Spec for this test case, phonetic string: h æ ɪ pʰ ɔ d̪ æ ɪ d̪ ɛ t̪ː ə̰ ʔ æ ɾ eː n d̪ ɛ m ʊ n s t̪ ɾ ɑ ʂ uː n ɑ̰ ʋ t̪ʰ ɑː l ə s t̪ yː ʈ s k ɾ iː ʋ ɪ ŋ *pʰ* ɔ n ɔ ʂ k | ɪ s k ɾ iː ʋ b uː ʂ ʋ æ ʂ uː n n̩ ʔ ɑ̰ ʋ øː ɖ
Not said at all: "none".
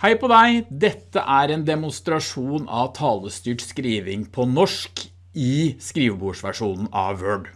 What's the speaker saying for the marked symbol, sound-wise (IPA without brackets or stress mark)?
pʰ